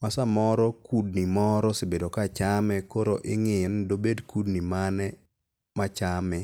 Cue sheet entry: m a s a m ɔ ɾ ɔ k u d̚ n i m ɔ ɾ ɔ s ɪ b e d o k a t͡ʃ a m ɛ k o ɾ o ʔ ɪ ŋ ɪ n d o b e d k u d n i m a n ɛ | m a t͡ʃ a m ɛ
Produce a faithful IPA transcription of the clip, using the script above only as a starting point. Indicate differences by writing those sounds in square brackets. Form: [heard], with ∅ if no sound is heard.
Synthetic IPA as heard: m a s a m ɔ ɾ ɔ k u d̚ n i m ɔ ɾ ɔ s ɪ b e d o k a t͡ʃ a m ɛ k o ɾ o ʔ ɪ ŋ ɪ n d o b e d k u d n i m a n ɛ | m a t͡ʃ a m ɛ